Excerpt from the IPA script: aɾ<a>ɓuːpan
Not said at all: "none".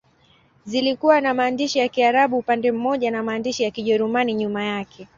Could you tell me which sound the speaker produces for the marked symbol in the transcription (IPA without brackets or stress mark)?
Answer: a